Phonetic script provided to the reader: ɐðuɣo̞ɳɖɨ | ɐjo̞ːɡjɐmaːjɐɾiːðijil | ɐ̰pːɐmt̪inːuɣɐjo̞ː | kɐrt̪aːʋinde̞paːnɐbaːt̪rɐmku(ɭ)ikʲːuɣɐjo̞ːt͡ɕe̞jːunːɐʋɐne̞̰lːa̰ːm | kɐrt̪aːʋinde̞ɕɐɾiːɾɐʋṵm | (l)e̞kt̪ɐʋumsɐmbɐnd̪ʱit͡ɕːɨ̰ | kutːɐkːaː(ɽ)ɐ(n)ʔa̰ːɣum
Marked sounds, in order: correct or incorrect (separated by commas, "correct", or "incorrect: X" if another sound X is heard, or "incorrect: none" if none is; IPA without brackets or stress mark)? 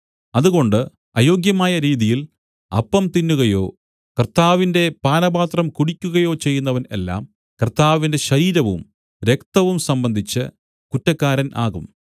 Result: incorrect: ɽ, incorrect: ɾ, incorrect: ɾ, correct